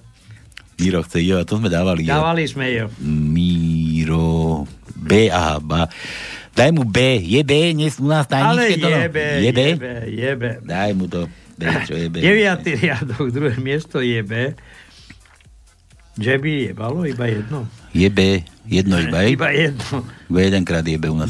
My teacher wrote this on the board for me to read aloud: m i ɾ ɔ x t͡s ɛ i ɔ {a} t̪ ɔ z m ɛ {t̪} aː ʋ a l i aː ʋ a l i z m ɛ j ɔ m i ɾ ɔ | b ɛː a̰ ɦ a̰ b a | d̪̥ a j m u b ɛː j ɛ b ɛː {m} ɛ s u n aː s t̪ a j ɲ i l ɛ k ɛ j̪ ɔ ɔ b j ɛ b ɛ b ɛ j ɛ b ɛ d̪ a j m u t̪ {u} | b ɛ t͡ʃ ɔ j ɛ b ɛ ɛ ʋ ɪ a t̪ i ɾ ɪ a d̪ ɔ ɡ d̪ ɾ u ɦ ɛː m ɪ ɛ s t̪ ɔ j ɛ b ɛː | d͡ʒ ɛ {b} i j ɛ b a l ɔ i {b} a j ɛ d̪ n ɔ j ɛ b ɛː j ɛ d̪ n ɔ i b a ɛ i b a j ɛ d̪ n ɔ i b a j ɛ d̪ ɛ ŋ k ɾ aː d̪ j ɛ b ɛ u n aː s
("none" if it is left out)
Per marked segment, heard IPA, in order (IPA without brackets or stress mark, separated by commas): a, d̪, ɲ, ɔ, b, b